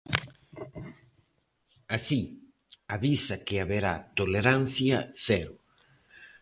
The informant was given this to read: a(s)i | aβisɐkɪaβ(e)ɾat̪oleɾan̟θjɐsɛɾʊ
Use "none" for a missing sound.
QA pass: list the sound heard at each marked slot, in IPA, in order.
s, e

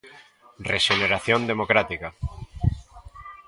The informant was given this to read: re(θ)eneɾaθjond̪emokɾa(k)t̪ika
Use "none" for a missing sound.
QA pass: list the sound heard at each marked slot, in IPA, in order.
ʃ, none

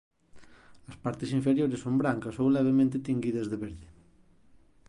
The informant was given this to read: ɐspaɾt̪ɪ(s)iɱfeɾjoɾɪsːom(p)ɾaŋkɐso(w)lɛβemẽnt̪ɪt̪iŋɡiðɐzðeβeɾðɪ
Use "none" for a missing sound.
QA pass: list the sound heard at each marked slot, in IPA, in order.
s, b, w

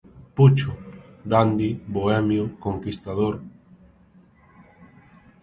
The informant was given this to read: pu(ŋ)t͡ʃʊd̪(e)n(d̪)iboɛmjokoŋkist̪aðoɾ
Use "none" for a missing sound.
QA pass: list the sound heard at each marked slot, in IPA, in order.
none, a, d̪

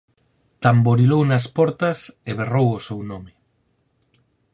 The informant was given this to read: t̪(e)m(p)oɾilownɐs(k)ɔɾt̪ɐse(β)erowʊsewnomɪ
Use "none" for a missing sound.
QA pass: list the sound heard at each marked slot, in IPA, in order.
a, b, p, β

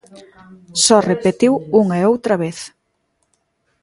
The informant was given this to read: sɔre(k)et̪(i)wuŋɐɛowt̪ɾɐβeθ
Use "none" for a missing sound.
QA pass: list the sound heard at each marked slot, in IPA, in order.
p, i

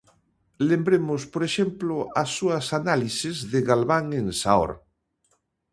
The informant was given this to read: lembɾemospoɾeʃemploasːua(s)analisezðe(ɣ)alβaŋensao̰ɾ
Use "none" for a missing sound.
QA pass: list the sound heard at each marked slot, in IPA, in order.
s, ɣ

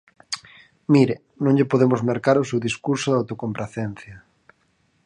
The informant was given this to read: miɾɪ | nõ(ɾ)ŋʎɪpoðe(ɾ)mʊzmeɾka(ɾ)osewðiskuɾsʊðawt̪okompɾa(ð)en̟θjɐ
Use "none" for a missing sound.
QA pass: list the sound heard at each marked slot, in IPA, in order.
none, none, ɾ, θ

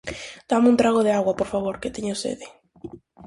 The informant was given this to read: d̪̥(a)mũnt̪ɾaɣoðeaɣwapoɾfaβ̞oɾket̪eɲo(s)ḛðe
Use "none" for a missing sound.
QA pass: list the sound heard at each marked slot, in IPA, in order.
a, s

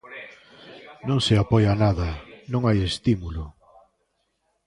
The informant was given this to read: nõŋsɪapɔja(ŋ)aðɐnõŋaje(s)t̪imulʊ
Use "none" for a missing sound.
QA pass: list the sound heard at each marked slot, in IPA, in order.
n, s

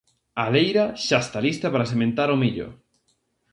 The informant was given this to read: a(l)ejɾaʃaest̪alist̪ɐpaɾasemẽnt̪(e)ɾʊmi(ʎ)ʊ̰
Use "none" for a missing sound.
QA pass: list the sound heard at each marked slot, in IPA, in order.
l, a, ʎ

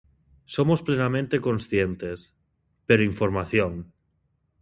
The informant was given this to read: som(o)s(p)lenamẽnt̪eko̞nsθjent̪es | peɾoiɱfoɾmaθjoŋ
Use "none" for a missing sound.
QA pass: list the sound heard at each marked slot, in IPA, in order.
o, p

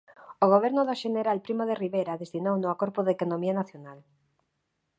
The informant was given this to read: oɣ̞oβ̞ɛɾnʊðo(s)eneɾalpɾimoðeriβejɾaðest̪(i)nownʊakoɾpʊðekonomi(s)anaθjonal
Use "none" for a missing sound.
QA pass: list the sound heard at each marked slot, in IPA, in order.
ʃ, i, none

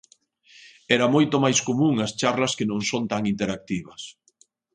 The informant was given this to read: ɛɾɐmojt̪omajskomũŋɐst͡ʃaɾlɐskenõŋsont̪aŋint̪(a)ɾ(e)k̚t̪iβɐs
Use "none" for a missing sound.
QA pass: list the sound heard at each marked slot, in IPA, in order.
e, a

